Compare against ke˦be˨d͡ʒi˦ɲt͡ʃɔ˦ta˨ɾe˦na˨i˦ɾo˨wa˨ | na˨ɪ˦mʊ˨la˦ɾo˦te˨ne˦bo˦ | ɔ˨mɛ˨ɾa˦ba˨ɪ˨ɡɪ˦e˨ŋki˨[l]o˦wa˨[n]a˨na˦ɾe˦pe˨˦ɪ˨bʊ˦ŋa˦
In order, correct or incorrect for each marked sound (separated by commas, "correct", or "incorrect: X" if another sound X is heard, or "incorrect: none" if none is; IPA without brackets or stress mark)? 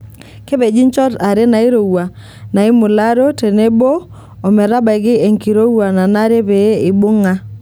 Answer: incorrect: ɾ, correct